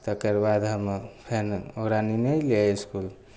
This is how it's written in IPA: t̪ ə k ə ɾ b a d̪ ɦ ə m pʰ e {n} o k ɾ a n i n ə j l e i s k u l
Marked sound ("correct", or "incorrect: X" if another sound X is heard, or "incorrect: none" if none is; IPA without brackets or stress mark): correct